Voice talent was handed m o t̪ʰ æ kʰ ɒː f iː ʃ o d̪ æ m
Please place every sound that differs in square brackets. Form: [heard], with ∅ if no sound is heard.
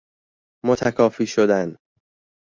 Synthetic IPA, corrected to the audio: m o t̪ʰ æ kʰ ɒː f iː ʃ o d̪ æ [n]